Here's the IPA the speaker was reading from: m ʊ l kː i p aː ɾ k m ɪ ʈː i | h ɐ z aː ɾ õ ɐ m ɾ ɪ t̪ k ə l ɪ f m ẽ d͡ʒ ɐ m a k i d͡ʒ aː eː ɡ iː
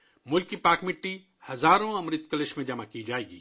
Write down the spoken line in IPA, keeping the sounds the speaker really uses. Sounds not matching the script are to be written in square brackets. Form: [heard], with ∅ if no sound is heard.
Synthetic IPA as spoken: m ʊ l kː i p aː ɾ k m ɪ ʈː i | h ɐ z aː ɾ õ ɐ m ɾ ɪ t̪ k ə l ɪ [ʃ] m ẽ d͡ʒ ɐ m a k i d͡ʒ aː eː ɡ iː